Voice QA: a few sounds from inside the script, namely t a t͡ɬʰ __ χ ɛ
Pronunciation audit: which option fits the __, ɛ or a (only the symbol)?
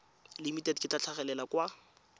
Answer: a